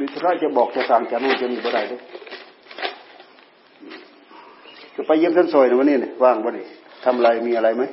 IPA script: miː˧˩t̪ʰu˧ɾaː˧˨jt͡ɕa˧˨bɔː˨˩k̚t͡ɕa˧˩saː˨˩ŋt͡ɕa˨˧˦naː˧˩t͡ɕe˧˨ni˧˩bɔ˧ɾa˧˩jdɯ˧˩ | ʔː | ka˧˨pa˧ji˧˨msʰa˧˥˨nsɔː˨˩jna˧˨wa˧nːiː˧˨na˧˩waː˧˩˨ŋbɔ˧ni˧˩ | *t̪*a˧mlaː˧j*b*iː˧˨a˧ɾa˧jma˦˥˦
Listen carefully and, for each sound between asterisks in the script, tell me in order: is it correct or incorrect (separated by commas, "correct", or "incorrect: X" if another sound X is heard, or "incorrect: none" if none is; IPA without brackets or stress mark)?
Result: incorrect: t̪ʰ, incorrect: m